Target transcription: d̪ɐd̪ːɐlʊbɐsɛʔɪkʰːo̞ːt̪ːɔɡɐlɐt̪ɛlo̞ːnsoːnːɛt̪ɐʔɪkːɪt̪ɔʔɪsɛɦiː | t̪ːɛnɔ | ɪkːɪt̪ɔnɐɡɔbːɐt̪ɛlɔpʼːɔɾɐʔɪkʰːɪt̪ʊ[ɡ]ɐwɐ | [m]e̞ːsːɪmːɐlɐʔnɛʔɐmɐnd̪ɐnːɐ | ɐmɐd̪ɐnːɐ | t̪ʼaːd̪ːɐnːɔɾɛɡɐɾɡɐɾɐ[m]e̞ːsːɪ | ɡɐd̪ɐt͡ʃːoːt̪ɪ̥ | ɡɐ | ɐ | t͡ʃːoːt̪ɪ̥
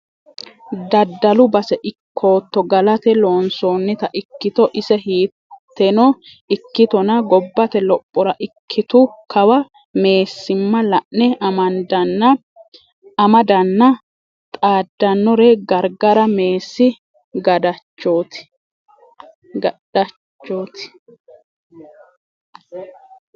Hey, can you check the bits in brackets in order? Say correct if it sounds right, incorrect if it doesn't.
incorrect: k, correct, correct

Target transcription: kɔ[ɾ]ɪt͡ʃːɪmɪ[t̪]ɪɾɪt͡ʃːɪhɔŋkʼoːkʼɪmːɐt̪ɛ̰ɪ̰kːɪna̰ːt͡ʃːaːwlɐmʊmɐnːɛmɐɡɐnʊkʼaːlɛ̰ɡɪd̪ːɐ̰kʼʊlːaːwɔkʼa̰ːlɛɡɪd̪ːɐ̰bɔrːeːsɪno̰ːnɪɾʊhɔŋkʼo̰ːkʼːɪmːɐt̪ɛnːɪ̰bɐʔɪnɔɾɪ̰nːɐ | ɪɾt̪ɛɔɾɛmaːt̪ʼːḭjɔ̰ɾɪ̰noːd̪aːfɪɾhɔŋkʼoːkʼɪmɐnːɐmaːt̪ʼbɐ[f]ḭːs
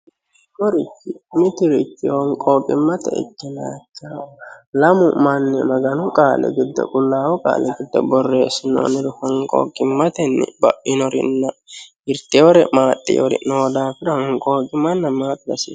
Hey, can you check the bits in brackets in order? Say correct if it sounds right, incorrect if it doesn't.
correct, correct, incorrect: s

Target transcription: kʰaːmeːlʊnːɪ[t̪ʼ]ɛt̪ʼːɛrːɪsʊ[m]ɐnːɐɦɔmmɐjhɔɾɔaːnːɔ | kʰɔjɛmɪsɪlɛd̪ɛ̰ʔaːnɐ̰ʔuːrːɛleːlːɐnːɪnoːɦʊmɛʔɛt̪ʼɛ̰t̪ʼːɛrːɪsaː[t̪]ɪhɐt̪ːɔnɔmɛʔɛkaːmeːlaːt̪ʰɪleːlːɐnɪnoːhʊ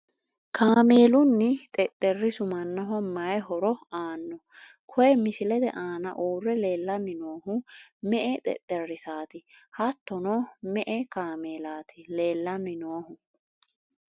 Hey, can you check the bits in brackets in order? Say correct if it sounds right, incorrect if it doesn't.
correct, correct, correct

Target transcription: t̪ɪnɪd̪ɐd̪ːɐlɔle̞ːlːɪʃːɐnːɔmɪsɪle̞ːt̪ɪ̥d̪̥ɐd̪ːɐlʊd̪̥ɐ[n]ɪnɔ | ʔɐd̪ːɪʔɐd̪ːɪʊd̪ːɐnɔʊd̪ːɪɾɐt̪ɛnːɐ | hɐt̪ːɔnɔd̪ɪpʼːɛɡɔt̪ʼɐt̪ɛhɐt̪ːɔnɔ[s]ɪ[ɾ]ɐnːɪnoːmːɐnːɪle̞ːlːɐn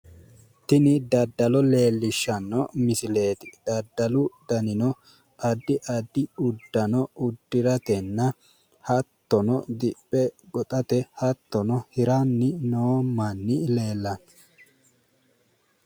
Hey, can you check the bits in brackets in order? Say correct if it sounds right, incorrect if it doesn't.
correct, incorrect: h, correct

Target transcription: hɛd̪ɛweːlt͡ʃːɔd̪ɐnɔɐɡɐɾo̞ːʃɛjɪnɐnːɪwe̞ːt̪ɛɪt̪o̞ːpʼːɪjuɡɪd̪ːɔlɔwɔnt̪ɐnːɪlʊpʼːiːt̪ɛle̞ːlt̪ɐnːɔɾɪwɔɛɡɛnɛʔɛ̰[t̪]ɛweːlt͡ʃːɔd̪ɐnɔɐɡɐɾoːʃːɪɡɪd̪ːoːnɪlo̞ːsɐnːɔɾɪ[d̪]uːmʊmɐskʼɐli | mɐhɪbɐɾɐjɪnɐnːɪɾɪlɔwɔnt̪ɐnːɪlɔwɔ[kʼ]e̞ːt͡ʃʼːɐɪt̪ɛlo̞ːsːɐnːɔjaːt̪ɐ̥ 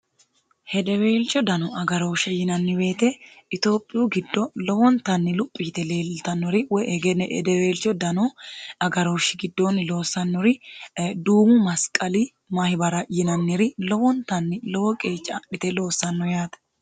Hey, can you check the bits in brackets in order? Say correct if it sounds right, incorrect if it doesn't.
incorrect: d̪, correct, correct

